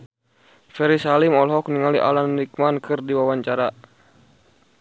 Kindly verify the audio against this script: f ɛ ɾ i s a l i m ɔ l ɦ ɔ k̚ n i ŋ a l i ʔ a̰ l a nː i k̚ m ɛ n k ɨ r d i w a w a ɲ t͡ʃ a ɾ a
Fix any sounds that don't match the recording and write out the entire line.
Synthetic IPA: f ɛ ɾ i s a l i m ɔ l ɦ ɔ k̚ n i ŋ a l i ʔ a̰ l a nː i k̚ m a n k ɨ r d i w a w a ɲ t͡ʃ a ɾ a